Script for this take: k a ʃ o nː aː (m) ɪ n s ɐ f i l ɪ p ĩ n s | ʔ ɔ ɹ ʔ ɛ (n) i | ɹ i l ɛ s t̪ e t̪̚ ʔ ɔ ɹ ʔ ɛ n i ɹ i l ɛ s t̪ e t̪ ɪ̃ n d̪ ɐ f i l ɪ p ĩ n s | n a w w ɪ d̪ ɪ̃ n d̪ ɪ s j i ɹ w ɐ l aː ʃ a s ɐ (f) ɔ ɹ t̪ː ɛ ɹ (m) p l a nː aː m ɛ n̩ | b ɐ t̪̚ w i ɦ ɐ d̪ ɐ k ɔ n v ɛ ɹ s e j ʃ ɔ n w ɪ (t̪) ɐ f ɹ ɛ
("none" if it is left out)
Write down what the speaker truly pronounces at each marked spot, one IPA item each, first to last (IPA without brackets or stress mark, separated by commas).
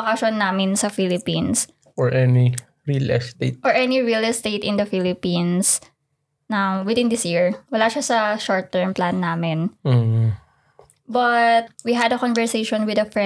m, n, ʃ, m, d̪